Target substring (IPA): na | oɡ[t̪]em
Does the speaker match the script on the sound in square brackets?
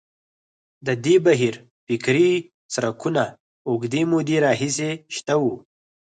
no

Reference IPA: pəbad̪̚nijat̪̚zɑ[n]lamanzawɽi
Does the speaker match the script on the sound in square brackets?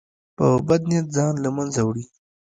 yes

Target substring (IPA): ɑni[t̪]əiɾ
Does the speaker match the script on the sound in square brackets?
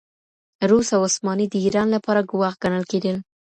no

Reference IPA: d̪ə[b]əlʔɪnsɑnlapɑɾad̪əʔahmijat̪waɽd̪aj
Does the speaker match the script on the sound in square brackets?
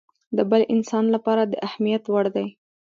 yes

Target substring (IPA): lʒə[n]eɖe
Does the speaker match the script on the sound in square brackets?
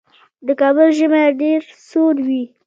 no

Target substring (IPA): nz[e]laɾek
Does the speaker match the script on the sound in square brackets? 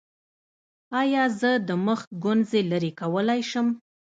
yes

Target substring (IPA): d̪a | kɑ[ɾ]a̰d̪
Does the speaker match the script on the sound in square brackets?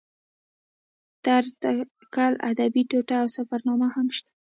no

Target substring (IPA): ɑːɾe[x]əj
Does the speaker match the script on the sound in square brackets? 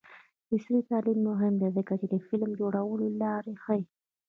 yes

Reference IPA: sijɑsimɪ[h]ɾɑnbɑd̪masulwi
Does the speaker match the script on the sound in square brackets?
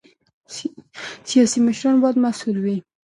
no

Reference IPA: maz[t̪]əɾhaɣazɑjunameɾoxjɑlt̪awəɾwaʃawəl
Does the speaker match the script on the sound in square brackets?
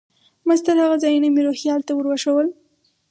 yes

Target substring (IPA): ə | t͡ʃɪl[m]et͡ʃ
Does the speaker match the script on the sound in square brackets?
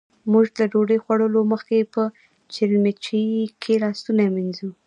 yes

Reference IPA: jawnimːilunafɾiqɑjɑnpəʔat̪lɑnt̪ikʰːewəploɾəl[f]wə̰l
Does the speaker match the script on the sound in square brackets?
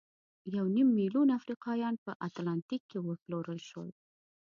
no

